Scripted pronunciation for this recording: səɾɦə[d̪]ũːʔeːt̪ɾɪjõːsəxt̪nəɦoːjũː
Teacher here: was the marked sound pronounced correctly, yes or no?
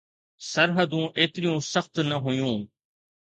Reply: yes